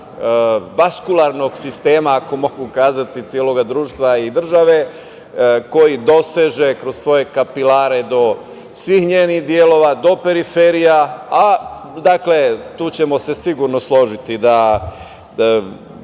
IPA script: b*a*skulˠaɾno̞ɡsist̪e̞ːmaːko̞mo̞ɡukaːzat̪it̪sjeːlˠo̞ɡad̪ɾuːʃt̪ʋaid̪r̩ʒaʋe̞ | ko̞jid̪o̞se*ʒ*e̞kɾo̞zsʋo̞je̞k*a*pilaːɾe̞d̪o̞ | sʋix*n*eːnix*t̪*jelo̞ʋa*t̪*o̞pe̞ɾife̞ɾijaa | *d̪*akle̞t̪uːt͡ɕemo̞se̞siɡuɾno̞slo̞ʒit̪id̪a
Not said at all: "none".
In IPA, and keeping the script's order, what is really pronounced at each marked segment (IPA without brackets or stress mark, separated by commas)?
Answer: a, ʒ, a, ɲ, d̪, d̪, d̪